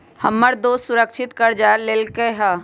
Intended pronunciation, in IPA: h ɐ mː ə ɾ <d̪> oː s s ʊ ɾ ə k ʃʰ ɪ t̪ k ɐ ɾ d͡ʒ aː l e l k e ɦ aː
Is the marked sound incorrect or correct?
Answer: correct